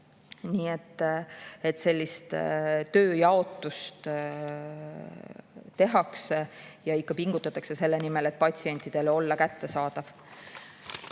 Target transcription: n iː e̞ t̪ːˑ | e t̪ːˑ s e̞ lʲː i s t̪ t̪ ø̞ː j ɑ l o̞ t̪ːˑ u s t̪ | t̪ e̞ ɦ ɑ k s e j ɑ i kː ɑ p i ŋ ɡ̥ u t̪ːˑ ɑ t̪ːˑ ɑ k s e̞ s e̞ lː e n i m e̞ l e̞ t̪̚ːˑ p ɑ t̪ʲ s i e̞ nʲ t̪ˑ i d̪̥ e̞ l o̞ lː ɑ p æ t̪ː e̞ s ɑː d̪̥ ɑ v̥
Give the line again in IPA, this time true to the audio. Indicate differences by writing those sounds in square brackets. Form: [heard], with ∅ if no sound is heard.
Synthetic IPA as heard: n iː e̞ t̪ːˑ | e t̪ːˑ s e̞ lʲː i s t̪ t̪ ø̞ː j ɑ [∅] o̞ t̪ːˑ u s t̪ | t̪ e̞ ɦ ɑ k s e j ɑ i kː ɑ p i ŋ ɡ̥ u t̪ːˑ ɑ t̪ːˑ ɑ k s e̞ s e̞ lː e n i m e̞ l e̞ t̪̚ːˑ p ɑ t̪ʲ s i e̞ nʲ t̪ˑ i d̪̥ e̞ l o̞ lː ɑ [k] æ t̪ː e̞ s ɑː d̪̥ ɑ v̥